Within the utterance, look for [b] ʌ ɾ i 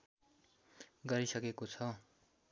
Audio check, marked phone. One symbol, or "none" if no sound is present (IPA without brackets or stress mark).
ɡ